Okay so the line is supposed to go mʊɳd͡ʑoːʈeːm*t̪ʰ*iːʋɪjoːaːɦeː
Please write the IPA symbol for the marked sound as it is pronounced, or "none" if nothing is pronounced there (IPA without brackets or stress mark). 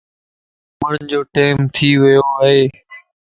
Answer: t̪ʰ